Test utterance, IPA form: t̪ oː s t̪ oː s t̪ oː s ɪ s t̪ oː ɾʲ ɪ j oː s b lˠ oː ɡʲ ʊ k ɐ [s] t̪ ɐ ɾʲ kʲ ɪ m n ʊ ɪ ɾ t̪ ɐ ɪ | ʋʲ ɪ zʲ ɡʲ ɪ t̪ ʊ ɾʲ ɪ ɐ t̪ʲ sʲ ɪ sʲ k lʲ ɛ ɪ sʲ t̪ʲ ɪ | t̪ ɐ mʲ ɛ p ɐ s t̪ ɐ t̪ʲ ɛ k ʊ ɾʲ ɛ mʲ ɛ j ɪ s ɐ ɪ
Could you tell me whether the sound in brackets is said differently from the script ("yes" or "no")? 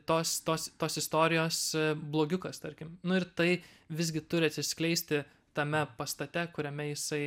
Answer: no